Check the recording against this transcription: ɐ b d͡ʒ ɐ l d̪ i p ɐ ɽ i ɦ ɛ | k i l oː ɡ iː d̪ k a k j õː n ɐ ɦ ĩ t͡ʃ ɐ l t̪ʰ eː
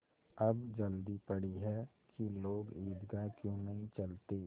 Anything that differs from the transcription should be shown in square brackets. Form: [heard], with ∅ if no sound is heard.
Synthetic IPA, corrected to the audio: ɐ b d͡ʒ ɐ l d̪ i p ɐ ɽ i ɦ ɛ | k i l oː ɡ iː d̪ [ɡ] a k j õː n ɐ ɦ ĩ t͡ʃ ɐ l [t̪] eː